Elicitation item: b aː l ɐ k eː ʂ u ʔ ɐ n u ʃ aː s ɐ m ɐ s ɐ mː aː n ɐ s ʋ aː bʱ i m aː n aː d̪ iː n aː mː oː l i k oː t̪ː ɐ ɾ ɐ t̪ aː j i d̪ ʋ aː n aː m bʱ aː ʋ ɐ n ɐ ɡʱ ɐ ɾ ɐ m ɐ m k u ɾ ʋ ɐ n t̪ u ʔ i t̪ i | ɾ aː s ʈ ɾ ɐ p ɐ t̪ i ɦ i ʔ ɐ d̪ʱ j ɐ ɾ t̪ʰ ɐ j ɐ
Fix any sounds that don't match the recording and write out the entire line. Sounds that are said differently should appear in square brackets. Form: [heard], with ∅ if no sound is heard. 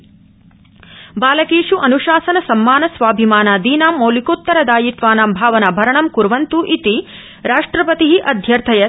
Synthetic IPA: b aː l ɐ k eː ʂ u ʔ ɐ n u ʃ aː s ɐ [n] ɐ s ɐ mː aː n ɐ s ʋ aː bʱ i m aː n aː d̪ iː n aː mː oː l i k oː t̪ː ɐ ɾ ɐ [d̪] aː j i [t̪] ʋ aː n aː m bʱ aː ʋ ɐ n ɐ [bʱ] ɐ ɾ ɐ [ɳ] ɐ m k u ɾ ʋ ɐ n t̪ u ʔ i t̪ i | ɾ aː [ʂ] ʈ ɾ ɐ p ɐ t̪ i ɦ i ʔ ɐ d̪ʱ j ɐ ɾ t̪ʰ ɐ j ɐ